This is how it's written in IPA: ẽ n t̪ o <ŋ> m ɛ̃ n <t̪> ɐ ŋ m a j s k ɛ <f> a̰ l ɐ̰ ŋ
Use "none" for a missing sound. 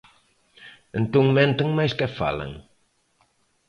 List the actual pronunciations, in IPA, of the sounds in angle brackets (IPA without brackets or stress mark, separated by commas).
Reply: ŋ, t̪, f